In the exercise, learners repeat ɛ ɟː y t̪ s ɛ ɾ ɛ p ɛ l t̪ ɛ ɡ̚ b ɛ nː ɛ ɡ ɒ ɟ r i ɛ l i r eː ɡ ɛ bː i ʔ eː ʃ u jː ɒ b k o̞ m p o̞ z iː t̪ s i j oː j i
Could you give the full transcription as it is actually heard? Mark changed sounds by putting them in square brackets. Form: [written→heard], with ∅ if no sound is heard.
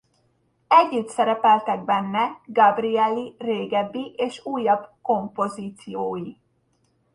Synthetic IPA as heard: ɛ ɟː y t̪ s ɛ ɾ ɛ p ɛ l t̪ ɛ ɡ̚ b ɛ nː ɛ ɡ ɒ [ɟ→b] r i ɛ l i r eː ɡ ɛ bː i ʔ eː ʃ [u→uː] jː ɒ b k o̞ m p o̞ z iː t̪ s i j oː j i